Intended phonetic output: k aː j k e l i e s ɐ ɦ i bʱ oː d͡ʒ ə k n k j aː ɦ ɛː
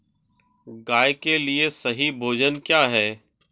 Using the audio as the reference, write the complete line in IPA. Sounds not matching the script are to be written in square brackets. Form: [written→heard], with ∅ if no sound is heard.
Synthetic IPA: [k→ɡ] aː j k e l i e s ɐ ɦ i bʱ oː d͡ʒ ə [k→∅] n k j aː ɦ ɛː